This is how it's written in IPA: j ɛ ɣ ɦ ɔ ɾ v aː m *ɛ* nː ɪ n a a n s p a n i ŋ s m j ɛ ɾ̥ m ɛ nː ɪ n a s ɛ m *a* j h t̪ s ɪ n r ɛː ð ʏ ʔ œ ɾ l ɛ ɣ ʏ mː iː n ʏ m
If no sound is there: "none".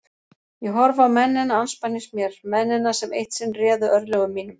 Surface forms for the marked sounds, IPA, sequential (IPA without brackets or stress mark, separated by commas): ɛ, e